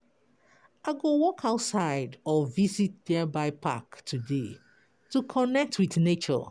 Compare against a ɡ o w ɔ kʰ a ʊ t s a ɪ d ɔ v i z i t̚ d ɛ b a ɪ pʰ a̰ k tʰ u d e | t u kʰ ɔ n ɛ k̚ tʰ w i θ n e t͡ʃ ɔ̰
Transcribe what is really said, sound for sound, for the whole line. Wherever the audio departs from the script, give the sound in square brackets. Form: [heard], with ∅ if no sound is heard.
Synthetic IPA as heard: a ɡ o w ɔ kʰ a ʊ t s a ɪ d ɔ v i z i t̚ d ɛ b a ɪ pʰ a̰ k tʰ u d e | t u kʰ ɔ n ɛ k̚ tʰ w i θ n e t͡ʃ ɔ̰